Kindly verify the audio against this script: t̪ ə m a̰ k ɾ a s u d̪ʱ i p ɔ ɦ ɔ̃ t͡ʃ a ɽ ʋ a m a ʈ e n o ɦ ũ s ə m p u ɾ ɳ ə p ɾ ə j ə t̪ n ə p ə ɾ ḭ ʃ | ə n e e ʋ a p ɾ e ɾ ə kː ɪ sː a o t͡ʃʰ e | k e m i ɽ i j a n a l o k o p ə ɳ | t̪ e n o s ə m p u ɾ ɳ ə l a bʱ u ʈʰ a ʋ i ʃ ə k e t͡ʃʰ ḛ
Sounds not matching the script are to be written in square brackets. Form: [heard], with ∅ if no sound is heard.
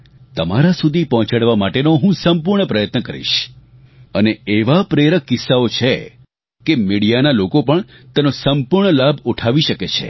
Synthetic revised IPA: t̪ ə m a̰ [∅] ɾ a s u d̪ʱ i p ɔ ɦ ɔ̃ t͡ʃ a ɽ ʋ a m a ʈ e n o ɦ ũ s ə m p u ɾ ɳ ə p ɾ ə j ə t̪ n ə [k] ə ɾ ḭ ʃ | ə n e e ʋ a p ɾ e ɾ ə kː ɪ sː a o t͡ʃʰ e | k e m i ɽ i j a n a l o k o p ə ɳ | t̪ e n o s ə m p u ɾ ɳ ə l a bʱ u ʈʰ a ʋ i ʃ ə k e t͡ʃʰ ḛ